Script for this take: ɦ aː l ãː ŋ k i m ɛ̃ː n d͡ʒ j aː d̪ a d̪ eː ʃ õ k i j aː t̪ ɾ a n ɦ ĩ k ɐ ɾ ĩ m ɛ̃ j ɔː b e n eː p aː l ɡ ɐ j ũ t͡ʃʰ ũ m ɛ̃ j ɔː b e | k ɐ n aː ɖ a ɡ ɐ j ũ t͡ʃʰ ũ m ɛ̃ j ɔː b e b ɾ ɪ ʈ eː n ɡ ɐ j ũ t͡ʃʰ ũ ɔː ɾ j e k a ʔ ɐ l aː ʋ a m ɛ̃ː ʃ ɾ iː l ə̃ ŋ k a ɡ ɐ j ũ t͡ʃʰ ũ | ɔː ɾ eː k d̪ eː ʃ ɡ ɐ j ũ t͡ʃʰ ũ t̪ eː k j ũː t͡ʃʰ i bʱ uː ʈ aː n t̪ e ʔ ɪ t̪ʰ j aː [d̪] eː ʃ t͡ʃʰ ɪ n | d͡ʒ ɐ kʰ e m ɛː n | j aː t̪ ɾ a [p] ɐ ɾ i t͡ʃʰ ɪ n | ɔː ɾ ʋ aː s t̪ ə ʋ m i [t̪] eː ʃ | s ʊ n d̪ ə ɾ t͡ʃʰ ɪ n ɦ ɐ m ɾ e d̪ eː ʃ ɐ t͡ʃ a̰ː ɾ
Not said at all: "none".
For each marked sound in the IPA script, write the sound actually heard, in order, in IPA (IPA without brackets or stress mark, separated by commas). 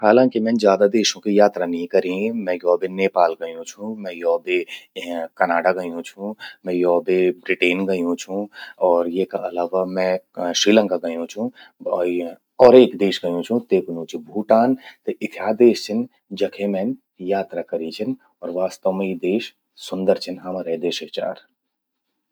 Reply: d̪, k, d̪